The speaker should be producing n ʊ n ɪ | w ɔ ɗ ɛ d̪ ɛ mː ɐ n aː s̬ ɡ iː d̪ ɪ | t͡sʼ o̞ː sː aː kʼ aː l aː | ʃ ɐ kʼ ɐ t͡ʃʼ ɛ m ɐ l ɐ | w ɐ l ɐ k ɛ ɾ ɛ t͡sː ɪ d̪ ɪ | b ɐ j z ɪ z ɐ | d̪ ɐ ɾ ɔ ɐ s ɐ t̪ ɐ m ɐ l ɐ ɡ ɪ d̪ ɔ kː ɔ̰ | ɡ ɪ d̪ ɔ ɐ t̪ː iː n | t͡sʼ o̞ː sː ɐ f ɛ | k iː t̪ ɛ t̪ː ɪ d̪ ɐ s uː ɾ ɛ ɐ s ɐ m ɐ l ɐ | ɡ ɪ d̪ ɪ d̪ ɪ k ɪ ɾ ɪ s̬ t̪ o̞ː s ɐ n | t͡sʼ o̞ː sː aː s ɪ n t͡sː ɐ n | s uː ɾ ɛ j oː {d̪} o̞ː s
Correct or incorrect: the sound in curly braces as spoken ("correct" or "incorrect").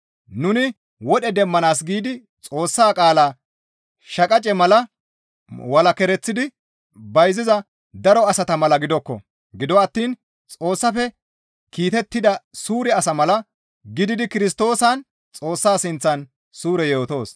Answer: incorrect